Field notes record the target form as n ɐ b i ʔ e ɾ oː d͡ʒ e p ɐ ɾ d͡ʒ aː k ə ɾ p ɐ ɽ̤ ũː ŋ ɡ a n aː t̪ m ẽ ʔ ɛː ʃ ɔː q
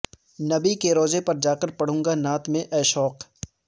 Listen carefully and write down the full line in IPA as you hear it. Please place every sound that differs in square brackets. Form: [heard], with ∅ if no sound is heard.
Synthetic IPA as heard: n ɐ b i [k] e ɾ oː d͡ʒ e p ɐ ɾ d͡ʒ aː k ə ɾ p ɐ ɽ̤ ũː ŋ ɡ a n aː t̪ m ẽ ʔ ɛː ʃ ɔː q